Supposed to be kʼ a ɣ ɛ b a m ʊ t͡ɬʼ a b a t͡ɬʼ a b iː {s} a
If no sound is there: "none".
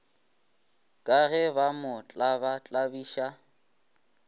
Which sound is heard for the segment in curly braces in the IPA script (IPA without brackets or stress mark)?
ʃ